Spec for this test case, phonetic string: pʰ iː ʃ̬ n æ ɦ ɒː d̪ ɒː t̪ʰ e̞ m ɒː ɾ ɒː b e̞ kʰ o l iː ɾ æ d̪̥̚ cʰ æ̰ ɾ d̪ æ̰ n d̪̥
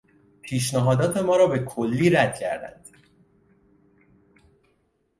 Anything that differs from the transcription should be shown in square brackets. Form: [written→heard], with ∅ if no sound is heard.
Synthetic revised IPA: pʰ iː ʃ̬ n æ ɦ ɒː d̪ ɒː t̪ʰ e̞ m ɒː ɾ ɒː b e̞ kʰ o [l→lː] iː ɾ æ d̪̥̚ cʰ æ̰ ɾ d̪ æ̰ n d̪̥